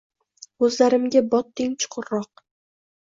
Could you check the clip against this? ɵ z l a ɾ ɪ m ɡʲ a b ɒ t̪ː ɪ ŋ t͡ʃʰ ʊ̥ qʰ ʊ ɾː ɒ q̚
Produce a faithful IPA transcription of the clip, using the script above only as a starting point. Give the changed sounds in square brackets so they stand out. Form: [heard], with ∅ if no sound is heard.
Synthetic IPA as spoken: ɵ z l a ɾ ɪ m ɡʲ a b ɒ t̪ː ɪ ŋ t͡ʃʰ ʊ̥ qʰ ʊ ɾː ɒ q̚